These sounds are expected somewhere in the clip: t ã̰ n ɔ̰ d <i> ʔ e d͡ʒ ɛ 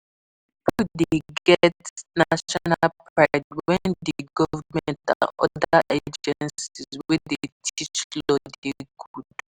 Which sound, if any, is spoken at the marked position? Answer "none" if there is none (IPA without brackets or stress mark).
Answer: a